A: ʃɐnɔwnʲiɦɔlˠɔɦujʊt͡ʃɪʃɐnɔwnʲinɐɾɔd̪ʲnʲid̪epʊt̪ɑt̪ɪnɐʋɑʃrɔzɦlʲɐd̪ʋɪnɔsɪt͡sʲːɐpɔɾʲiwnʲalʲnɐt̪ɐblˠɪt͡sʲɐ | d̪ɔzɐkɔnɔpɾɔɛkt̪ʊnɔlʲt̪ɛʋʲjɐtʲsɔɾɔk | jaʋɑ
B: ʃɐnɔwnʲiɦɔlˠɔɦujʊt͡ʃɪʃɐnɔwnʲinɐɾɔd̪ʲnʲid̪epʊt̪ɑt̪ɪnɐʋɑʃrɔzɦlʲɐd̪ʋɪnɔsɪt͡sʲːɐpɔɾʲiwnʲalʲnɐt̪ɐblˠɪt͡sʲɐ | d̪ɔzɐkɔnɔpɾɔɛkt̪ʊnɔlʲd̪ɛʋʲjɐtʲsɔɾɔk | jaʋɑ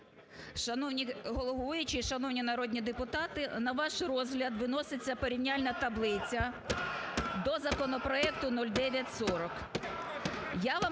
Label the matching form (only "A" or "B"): B